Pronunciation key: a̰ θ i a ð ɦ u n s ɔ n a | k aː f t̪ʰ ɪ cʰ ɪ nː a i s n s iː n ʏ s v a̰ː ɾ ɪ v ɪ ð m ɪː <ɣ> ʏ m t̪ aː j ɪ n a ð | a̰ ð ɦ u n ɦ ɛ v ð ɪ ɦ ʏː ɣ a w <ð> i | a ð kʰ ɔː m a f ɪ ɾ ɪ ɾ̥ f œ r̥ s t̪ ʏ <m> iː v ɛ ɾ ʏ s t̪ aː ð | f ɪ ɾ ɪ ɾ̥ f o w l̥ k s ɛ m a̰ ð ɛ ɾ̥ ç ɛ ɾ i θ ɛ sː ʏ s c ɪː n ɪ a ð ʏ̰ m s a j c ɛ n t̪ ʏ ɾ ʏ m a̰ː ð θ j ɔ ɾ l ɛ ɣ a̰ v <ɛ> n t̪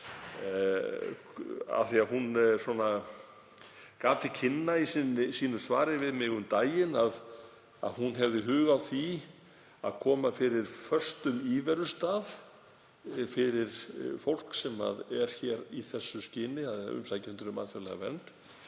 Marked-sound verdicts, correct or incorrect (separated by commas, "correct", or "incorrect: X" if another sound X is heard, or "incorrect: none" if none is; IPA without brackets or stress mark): correct, incorrect: θ, correct, correct